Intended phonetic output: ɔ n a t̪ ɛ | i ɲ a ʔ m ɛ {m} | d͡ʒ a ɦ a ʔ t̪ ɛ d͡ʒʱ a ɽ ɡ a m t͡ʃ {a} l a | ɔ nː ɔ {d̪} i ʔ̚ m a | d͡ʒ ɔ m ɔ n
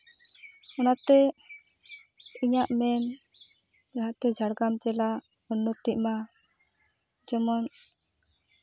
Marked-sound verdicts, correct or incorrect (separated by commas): incorrect, incorrect, incorrect